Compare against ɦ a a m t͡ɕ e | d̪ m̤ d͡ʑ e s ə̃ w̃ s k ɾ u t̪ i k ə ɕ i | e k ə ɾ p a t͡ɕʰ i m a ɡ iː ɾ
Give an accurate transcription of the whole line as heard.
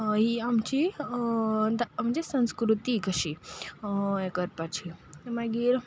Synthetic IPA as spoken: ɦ i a m t͡ɕ i | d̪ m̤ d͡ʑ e s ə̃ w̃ s k ɾ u t̪ i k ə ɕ i | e k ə ɾ p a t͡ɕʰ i m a ɡ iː ɾ